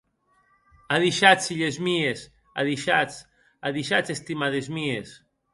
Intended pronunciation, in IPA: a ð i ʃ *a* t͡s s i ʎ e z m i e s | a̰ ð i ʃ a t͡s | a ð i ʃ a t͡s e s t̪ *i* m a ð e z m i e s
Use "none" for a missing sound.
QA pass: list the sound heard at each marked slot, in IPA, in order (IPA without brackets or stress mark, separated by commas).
a, i